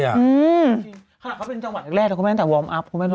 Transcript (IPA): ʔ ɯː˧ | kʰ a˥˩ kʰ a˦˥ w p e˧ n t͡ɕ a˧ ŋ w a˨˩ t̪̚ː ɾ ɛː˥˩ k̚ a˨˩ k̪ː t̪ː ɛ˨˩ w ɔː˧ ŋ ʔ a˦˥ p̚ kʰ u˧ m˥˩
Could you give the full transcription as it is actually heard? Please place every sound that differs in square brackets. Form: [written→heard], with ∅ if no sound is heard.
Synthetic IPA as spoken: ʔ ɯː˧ | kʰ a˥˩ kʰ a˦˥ w p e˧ n t͡ɕ a˧ ŋ w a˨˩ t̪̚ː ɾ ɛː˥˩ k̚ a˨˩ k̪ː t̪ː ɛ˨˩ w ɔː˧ [ŋ→m] ʔ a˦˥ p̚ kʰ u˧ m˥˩